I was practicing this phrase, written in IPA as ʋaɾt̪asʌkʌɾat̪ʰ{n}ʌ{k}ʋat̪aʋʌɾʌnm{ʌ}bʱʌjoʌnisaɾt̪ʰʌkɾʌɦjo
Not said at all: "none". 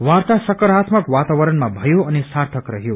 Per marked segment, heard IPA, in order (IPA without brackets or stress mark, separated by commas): m, k, a